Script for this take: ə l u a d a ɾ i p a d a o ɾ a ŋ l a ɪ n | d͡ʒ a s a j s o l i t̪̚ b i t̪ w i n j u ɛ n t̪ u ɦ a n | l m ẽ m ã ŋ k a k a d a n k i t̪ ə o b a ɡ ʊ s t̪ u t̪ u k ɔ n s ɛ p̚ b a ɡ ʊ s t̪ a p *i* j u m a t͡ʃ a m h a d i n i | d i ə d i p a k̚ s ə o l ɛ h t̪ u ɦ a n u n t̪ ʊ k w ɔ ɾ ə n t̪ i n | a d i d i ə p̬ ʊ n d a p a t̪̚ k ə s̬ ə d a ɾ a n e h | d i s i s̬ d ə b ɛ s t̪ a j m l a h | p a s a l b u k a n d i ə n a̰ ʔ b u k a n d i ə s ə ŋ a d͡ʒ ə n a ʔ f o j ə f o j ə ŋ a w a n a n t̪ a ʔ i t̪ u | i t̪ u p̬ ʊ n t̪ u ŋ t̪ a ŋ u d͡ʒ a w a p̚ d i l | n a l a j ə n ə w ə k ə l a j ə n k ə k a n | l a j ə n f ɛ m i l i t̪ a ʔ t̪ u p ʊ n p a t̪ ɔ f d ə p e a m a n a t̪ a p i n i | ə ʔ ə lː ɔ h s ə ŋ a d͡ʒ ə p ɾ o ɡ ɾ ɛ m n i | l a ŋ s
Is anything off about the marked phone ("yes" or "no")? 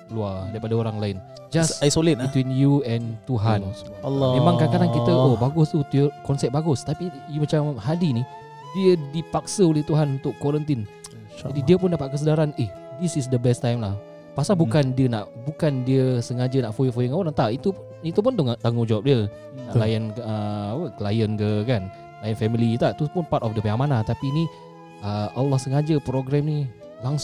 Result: no